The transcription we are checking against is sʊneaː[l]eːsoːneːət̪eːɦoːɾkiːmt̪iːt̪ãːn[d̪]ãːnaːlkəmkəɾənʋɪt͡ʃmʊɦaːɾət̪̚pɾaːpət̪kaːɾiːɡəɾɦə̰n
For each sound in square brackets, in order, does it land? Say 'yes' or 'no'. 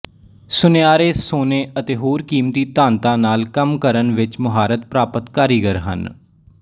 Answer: no, no

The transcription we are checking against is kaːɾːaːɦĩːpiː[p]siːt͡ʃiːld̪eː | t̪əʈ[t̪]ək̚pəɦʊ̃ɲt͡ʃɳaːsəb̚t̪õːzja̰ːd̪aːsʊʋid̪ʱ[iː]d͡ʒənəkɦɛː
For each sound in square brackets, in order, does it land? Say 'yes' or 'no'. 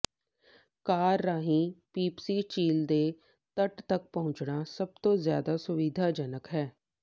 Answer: yes, yes, no

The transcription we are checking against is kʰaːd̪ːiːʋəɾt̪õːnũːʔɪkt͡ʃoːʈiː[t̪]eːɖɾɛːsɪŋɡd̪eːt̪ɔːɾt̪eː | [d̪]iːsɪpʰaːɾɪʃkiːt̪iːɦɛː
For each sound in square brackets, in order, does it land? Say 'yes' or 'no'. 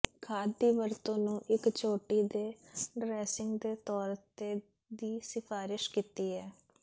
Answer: no, yes

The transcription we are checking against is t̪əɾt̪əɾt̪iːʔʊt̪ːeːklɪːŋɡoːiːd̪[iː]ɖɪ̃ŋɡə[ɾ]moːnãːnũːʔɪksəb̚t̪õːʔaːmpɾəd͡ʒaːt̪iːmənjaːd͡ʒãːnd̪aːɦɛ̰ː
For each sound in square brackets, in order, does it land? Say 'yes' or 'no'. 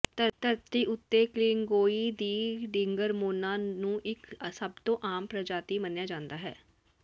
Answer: yes, yes

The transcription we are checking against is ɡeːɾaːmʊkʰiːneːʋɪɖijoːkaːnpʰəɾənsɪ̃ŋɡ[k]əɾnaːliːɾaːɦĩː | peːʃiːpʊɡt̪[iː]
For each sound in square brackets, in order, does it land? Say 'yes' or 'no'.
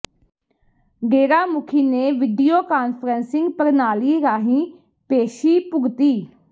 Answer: no, yes

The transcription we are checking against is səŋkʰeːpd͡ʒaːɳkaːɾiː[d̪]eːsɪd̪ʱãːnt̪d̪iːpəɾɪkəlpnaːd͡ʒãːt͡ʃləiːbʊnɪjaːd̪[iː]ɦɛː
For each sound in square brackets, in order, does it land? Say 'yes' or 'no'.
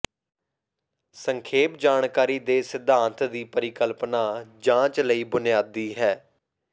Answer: yes, yes

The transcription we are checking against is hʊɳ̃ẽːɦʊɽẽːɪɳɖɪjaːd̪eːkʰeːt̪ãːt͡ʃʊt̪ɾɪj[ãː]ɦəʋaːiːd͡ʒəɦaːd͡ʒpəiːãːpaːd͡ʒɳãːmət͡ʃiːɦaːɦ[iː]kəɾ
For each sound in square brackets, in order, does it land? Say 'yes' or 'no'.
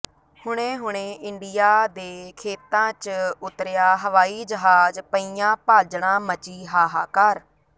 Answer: no, no

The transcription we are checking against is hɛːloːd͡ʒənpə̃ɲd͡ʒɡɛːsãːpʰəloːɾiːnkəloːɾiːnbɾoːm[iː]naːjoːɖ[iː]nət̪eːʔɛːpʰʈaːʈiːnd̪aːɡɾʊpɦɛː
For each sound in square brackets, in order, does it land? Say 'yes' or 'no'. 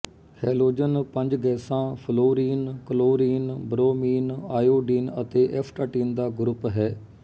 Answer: yes, yes

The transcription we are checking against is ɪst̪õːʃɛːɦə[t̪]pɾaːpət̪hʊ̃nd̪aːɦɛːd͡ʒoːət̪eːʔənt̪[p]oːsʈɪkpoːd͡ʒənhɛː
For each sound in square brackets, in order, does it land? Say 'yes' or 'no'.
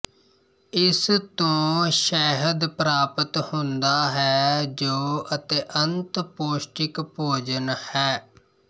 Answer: no, yes

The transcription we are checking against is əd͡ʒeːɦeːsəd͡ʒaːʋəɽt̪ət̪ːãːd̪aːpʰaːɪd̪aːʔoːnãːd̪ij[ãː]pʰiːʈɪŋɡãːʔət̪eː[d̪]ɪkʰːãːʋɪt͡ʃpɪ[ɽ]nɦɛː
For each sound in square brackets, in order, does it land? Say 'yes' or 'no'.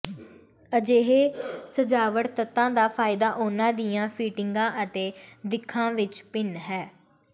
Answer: yes, yes, no

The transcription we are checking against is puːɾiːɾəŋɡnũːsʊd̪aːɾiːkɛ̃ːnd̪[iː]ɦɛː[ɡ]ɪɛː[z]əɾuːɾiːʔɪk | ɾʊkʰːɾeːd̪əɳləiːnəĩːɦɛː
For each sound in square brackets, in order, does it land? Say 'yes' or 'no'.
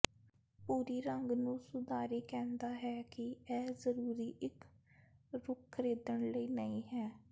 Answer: no, no, yes

